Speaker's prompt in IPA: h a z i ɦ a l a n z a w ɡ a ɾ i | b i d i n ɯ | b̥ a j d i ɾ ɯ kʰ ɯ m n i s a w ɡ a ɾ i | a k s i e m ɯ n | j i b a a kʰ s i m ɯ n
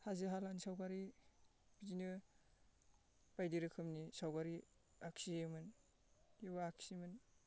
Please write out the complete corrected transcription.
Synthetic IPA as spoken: h a z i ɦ a l a n s a w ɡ a ɾ i | b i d i n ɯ | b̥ a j d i ɾ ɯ kʰ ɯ m n i s a w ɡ a ɾ i | a k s i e m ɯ n | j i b a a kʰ s i m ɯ n